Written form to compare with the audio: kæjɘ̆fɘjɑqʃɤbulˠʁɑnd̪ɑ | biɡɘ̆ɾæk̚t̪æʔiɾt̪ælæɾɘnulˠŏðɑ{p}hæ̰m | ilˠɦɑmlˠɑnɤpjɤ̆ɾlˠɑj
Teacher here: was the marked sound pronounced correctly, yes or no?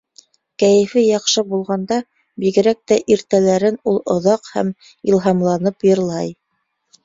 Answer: no